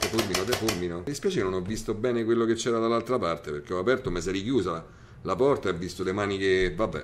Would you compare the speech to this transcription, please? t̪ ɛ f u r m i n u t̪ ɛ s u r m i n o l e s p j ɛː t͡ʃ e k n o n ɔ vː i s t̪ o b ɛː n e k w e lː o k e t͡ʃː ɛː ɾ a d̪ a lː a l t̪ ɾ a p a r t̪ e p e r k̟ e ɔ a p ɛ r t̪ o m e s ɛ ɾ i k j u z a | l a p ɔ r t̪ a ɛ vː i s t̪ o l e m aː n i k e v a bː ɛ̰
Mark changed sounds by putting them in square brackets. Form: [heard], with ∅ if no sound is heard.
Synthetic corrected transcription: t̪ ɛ f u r m i n [o] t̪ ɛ [f] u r m i n o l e s p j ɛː t͡ʃ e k n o n ɔ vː i s t̪ o b ɛː n e k w e lː o k e t͡ʃː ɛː ɾ a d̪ a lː a l t̪ ɾ a p a r t̪ e p e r k̟ e ɔ a p ɛ r t̪ o m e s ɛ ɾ i k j [uː] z a | l a p ɔ r t̪ a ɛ vː i s t̪ o l e m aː n i k e v a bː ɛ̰